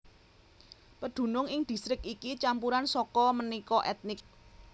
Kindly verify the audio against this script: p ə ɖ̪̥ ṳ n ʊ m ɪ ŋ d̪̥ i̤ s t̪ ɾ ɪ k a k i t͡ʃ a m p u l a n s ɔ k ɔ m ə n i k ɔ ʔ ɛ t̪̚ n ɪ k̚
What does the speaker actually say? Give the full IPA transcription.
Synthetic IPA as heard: p ə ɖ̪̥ ṳ n ʊ ŋ ɪ ŋ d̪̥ i̤ s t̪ ɾ ɪ k i k i t͡ʃ a m p u ɾ a n s ɔ k ɔ m ə n i k ɔ ʔ ɛ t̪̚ n ɪ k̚